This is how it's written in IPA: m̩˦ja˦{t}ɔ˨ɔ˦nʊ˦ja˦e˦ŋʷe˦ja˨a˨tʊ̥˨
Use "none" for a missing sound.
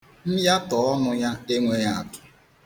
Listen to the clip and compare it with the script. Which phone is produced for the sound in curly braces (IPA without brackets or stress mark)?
t